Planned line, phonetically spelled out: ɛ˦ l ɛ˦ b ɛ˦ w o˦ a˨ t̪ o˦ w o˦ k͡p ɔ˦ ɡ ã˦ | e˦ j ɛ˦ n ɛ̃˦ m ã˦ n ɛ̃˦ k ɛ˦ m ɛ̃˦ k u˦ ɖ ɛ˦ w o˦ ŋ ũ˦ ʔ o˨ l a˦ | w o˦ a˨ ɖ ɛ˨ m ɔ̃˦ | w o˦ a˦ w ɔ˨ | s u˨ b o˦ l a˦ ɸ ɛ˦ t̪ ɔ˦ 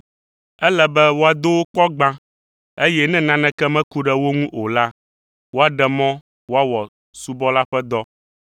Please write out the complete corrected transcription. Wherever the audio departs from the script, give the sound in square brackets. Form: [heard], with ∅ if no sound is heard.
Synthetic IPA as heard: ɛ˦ l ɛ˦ b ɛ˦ w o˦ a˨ [d̪] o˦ w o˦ k͡p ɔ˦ [ɡ͡b] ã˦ | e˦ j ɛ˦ n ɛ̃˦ [n] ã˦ n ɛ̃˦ k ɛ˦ m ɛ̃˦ k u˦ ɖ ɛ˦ w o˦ ŋ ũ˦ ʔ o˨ l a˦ | w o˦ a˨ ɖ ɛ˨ m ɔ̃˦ | w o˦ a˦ w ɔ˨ | s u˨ b [ɔ˦] l a˦ ɸ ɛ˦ [d̪] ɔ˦

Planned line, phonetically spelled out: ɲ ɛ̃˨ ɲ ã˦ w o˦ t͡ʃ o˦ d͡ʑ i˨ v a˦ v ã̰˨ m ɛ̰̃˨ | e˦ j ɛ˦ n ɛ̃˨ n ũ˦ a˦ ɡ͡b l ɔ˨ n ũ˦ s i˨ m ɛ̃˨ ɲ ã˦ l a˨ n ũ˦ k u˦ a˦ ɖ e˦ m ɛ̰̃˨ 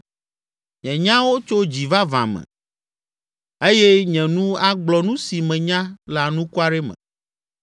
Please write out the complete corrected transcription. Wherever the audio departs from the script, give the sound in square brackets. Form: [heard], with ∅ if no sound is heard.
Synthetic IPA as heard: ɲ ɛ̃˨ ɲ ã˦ w o˦ t͡ʃ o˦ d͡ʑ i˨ v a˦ v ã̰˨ m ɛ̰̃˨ | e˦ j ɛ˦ [ɲ] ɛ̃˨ n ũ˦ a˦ ɡ͡b l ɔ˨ n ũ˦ s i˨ m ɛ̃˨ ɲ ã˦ l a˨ n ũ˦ k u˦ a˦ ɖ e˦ m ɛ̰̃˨

